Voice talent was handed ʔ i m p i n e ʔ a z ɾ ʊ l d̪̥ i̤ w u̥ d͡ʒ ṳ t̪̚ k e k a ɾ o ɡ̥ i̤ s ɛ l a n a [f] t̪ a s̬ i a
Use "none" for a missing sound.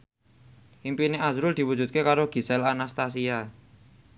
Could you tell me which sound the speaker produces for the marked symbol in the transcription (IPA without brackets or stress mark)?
s